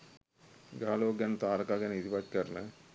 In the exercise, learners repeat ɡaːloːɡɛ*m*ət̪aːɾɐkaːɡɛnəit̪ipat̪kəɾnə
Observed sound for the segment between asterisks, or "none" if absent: n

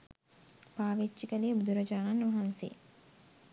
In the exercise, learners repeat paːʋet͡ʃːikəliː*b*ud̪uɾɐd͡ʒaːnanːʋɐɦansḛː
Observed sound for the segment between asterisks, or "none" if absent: b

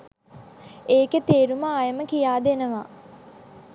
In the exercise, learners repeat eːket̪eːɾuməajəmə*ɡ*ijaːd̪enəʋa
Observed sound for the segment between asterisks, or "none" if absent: k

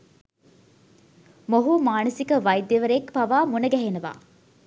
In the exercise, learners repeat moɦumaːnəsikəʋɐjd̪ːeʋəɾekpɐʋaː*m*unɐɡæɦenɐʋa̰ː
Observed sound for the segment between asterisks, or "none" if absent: m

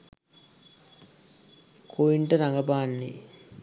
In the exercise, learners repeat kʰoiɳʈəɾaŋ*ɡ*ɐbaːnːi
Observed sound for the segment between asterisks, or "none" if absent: ɡ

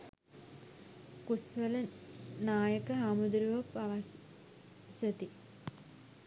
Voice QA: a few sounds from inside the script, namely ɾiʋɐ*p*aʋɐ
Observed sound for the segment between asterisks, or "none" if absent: p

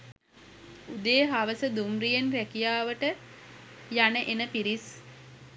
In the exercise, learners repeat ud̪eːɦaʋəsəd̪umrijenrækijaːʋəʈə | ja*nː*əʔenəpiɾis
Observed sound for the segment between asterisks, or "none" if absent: n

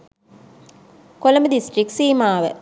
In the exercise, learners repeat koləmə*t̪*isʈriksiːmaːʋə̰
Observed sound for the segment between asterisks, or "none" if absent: d̪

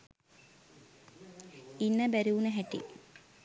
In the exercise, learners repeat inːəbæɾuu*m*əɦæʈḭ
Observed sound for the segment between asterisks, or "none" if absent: n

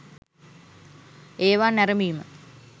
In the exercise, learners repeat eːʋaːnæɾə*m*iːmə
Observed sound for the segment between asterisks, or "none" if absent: m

